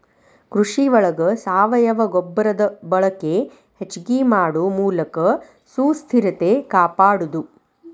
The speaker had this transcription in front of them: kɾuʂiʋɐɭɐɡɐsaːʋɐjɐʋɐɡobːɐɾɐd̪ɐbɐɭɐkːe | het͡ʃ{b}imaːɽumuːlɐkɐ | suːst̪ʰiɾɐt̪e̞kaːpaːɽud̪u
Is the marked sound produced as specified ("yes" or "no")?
no